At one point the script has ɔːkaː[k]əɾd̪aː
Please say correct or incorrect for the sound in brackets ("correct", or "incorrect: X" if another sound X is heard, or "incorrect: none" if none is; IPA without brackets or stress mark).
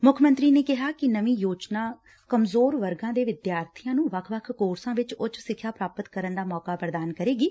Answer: incorrect: p